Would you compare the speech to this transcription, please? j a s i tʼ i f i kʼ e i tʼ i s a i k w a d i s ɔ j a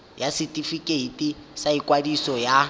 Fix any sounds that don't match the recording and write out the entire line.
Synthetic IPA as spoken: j a s i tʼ i f i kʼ e i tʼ i s a i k w a d i s ɔ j a